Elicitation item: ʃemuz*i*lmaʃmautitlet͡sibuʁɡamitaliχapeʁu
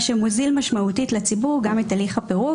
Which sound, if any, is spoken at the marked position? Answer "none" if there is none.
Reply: i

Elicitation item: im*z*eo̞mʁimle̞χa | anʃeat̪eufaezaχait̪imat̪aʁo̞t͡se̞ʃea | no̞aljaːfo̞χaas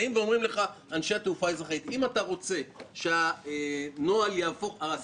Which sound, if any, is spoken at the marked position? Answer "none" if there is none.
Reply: v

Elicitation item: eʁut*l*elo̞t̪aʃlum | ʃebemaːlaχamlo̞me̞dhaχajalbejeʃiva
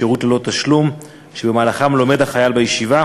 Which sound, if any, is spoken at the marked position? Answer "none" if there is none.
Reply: l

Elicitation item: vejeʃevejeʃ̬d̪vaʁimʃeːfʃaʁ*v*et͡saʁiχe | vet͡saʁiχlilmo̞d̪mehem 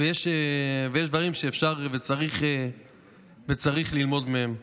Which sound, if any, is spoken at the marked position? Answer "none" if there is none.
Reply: v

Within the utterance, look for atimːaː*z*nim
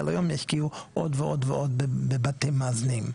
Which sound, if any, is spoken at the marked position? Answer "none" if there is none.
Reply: z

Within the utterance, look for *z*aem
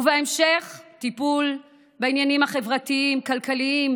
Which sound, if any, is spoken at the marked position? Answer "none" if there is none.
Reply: v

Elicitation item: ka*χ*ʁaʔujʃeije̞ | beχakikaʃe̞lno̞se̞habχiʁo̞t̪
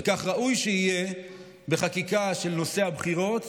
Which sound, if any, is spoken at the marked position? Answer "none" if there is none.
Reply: χ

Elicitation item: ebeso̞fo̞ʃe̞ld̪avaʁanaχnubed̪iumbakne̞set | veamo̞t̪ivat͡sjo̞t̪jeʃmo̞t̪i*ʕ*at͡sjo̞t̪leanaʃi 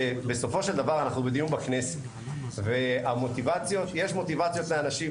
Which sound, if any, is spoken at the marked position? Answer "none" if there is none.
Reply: v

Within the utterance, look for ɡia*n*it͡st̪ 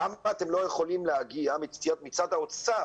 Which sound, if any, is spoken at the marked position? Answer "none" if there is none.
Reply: m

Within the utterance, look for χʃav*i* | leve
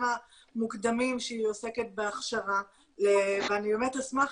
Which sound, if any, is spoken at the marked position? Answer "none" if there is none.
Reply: a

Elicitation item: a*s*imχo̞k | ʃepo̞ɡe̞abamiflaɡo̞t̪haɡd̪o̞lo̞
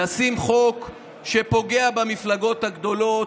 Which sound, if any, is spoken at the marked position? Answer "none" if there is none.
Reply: s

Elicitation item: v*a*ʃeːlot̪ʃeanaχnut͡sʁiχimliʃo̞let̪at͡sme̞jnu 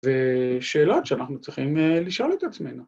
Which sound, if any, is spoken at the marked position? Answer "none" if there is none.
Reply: e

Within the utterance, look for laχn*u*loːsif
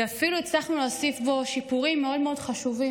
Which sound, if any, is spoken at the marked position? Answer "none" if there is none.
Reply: u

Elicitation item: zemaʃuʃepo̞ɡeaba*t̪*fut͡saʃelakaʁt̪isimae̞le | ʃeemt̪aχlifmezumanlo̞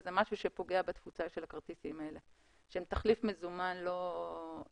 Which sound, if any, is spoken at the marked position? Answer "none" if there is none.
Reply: t̪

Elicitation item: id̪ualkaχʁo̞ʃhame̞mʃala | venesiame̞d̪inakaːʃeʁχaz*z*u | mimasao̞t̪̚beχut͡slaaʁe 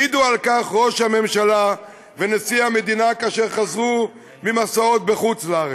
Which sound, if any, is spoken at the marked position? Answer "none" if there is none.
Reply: ʁ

